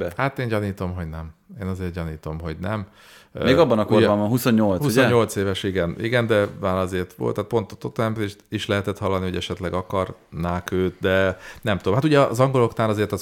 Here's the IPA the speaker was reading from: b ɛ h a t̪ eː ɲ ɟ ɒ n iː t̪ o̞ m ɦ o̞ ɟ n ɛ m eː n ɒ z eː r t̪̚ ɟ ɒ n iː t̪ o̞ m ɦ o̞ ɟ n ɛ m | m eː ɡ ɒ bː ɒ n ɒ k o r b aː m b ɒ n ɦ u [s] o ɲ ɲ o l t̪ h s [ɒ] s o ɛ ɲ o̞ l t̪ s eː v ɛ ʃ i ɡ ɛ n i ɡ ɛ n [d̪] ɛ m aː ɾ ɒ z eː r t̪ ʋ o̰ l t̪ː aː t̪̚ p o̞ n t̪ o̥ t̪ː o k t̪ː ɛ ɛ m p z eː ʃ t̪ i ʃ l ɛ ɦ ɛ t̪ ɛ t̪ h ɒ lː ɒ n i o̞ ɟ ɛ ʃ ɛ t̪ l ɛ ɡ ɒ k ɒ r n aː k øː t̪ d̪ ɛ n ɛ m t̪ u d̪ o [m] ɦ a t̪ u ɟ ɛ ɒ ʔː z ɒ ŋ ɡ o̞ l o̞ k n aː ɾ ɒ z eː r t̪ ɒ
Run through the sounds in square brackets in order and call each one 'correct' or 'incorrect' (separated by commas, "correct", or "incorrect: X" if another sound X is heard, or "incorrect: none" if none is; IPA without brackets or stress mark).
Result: correct, incorrect: u, correct, correct